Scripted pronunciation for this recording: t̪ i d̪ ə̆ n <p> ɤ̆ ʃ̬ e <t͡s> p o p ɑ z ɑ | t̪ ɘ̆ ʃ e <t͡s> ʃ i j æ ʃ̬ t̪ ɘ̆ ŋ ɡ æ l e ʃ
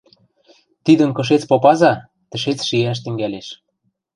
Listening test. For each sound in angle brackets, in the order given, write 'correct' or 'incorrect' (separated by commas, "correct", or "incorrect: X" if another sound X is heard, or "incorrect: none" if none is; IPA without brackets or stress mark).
incorrect: k, correct, correct